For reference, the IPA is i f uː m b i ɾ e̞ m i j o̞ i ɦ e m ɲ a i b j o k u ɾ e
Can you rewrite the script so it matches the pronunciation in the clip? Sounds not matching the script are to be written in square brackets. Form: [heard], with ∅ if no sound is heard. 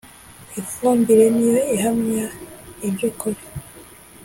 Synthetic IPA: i f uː m b i ɾ e̞ [n] i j o̞ i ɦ [a] m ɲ a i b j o k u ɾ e